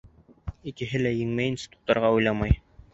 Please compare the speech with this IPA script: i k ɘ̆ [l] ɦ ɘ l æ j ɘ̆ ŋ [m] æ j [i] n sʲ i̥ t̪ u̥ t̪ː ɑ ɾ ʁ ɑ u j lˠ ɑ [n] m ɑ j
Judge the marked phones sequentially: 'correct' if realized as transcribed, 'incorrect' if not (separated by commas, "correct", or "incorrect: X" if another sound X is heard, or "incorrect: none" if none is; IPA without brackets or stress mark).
incorrect: none, correct, correct, incorrect: none